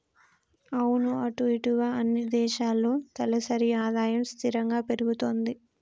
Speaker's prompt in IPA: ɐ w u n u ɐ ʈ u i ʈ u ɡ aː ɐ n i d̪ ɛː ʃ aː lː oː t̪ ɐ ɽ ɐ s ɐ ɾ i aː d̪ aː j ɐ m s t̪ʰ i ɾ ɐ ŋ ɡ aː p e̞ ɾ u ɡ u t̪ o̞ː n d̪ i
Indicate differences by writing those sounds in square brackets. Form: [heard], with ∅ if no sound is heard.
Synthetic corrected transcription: ɐ w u n u ɐ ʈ u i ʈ u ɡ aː ɐ [nː] i d̪ ɛː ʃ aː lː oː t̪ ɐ [l] ɐ s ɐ ɾ i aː d̪ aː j ɐ m s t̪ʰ i ɾ ɐ ŋ ɡ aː p e̞ ɾ u ɡ u t̪ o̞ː n d̪ i